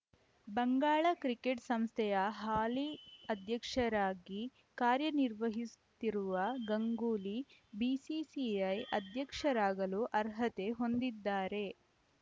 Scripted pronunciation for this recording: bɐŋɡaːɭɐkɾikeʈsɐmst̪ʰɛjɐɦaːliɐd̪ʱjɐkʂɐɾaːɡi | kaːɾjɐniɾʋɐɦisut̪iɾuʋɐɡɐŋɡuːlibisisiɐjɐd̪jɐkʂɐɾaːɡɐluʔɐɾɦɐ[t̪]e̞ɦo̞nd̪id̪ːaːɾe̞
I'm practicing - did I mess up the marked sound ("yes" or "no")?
no